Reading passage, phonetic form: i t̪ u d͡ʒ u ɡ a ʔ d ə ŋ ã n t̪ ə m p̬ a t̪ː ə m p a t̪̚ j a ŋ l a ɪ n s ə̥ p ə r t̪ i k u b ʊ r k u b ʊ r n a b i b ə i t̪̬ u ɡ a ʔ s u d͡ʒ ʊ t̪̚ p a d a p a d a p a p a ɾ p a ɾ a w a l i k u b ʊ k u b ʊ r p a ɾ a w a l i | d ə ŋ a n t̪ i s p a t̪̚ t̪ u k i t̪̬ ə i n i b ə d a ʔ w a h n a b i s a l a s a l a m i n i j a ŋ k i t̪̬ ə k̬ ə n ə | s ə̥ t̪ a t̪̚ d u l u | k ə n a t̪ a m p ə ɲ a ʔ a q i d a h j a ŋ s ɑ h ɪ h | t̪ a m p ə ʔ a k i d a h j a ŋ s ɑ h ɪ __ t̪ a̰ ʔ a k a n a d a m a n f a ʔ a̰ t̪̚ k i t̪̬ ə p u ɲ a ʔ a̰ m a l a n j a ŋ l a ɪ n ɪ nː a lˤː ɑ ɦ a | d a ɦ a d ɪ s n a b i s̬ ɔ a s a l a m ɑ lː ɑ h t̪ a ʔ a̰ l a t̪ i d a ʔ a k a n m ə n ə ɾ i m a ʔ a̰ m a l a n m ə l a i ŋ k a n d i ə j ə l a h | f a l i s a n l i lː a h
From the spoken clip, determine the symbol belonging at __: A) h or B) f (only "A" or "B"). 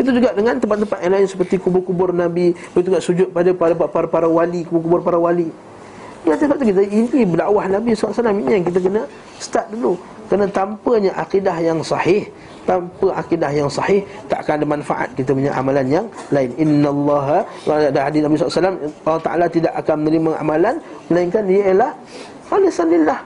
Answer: A